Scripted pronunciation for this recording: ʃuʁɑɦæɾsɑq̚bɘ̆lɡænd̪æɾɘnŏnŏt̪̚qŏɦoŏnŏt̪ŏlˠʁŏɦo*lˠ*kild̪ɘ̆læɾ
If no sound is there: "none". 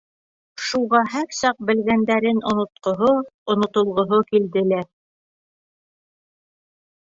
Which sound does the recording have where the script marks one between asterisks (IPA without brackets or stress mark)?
none